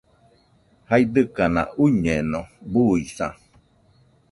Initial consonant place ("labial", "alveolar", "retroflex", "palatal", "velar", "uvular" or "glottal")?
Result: glottal